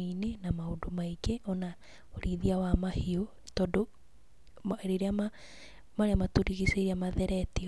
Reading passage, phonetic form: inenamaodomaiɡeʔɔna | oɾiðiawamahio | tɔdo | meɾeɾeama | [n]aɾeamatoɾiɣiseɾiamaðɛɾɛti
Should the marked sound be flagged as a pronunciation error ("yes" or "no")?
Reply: yes